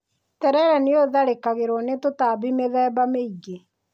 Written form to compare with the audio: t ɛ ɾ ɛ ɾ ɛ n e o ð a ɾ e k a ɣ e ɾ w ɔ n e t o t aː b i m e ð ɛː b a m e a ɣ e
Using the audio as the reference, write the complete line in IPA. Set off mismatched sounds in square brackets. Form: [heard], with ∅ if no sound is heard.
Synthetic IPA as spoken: t ɛ ɾ ɛ ɾ ɛ n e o ð a ɾ e k a ɣ e ɾ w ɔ n e t o t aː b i m e ð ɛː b a m e [i] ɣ e

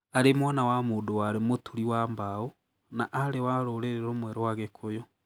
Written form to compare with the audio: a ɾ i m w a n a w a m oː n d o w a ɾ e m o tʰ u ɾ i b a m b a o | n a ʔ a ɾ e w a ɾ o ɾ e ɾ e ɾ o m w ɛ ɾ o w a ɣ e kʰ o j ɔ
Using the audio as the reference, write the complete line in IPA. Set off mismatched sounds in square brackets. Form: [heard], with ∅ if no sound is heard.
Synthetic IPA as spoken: a ɾ [e] m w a n a w a m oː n d o w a ɾ e m o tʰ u ɾ i [w] a m b a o | n a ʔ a ɾ e w a ɾ o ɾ e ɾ e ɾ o m w ɛ ɾ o w a ɣ e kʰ o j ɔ

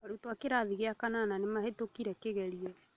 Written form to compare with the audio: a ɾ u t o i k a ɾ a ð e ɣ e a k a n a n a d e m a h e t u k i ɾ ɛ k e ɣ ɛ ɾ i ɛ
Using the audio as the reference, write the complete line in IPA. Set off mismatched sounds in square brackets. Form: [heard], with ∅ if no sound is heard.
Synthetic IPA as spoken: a ɾ u t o [a] k [e] ɾ a ð [i] ɣ e a k a n a n a [n] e m a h e t [o] k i ɾ ɛ k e ɣ ɛ ɾ i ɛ

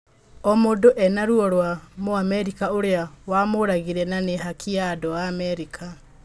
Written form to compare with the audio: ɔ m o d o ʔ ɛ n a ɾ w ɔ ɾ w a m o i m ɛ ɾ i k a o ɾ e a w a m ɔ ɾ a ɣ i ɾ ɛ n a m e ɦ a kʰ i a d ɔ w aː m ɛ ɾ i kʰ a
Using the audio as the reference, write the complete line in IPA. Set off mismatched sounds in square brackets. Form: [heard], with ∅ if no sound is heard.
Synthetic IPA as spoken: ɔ m o d o ʔ ɛ n a ɾ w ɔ ɾ w a m o [a] m ɛ ɾ i k a o ɾ e a w a m [o] ɾ a ɣ i ɾ ɛ n a [n] e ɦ a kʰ i a d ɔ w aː m ɛ ɾ i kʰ a

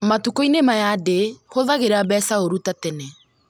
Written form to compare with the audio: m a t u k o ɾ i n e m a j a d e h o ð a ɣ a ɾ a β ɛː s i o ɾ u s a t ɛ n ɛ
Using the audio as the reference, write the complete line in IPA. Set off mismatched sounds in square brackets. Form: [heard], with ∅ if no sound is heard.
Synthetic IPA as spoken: m a t u k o [∅] i n e m a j a d e h o ð a ɣ [e] ɾ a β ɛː s [a] o ɾ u [t] a t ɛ n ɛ

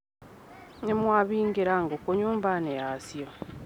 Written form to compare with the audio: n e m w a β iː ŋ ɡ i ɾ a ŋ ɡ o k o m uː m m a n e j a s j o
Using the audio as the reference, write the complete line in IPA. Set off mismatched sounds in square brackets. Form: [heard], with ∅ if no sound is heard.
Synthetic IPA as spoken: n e m w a β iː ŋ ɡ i ɾ a ŋ ɡ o k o [ɲ] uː m [b] a n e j a s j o

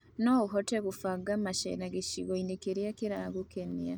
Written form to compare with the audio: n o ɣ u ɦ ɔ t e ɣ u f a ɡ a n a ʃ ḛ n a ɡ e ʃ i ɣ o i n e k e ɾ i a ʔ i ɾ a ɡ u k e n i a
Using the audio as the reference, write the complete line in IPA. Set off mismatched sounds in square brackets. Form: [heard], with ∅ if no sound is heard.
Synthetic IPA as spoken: n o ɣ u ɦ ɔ t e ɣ u f a ɡ a [m] a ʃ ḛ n a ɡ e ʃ i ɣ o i n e k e ɾ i a [k] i ɾ a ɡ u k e n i a

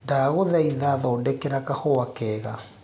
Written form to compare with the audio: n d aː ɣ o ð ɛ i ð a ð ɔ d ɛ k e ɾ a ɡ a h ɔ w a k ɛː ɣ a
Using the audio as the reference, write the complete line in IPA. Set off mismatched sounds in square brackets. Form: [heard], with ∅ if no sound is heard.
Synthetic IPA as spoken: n d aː ɣ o ð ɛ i ð a ð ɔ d ɛ k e ɾ a [k] a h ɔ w a k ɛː ɣ a

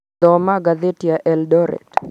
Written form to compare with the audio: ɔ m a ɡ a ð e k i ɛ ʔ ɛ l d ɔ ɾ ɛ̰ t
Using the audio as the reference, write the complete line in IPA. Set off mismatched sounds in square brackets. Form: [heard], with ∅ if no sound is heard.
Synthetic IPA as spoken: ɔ m a ɡ a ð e [t] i [a] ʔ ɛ l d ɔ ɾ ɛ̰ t

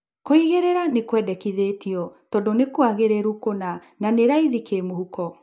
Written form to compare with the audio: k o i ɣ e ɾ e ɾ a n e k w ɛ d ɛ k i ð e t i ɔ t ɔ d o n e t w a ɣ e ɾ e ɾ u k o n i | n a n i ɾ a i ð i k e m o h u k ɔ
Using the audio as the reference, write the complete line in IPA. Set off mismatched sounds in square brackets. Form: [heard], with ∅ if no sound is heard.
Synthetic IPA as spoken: k o i ɣ e ɾ e ɾ a n e k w ɛ d ɛ k i ð e t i ɔ t ɔ d o n e [k] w a ɣ e ɾ e ɾ u k o n [a] | n a n [e] ɾ a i ð i k e m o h u k ɔ

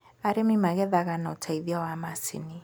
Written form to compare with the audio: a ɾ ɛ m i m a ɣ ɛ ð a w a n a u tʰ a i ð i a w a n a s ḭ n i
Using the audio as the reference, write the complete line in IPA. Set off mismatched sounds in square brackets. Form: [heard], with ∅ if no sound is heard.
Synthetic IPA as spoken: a ɾ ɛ m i m a ɣ ɛ ð a [ɣ] a n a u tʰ a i ð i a w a [m] a s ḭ n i

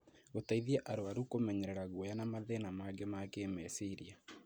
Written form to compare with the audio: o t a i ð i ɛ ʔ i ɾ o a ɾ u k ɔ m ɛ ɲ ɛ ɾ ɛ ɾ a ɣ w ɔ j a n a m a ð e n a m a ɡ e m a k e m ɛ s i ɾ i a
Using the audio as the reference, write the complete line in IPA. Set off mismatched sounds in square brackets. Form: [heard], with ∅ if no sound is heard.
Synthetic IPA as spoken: o t a i ð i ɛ ʔ [a] ɾ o a ɾ u k [o] m ɛ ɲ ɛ ɾ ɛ ɾ a ɣ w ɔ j a n a m a ð e n a m a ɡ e m a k e m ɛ s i ɾ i a

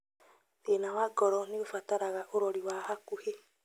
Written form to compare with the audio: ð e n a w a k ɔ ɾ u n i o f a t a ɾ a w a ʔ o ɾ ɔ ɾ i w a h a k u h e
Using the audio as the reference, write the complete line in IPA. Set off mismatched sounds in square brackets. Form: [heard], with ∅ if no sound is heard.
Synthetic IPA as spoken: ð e n a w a [ɡ] ɔ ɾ [ɔ] n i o f a t a ɾ a [ɣ] a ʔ o ɾ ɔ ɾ i w a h a k u h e

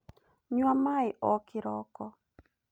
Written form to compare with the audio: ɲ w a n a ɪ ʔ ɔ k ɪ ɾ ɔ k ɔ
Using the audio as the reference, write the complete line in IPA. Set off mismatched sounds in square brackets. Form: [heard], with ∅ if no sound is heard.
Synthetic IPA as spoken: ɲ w a [m] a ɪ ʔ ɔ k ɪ ɾ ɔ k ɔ

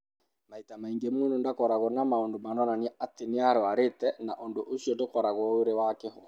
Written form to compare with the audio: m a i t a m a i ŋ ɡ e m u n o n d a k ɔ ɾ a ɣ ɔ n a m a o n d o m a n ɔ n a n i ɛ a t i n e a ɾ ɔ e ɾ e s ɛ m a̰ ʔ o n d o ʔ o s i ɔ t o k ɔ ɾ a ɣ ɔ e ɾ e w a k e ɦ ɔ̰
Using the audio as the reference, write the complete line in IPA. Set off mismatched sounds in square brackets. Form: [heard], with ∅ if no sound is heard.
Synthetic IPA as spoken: m a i t a m a i ŋ ɡ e m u n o n d a k ɔ ɾ a ɣ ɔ n a m a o n d o m a n ɔ n a n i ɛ a t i n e a ɾ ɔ [a] ɾ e [t] ɛ [n] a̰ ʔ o n d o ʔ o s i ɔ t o k ɔ ɾ a ɣ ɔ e ɾ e w a k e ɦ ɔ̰

